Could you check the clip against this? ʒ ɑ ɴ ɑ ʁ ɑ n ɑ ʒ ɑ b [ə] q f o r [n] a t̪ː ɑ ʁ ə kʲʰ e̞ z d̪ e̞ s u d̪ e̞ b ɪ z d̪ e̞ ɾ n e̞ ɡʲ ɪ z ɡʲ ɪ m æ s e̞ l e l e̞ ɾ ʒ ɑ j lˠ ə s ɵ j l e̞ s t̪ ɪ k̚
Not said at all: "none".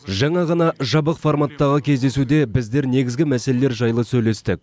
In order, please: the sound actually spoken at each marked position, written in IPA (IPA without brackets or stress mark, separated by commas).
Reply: ə, m